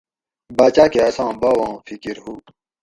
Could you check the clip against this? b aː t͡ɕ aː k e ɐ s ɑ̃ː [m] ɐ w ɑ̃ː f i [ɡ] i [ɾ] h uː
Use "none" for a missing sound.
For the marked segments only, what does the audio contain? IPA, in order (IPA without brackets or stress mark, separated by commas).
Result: b, k, ɾ